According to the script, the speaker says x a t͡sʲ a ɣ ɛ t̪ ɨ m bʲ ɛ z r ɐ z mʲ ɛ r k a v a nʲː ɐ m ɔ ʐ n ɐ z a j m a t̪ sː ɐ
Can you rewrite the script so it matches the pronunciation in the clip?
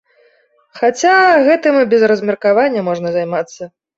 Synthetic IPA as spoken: x a t͡sʲ a ɣ ɛ t̪ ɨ m bʲ ɛ z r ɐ z mʲ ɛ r k a v a nʲː ɐ m ɔ ʐ n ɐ z a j m a t̪ sː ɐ